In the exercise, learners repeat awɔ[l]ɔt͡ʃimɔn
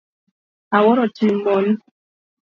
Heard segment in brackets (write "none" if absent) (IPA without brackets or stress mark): ɾ